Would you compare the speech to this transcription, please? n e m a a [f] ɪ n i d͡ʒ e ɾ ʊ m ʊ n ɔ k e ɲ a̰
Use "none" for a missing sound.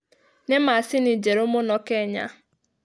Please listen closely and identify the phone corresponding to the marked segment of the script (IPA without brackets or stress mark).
s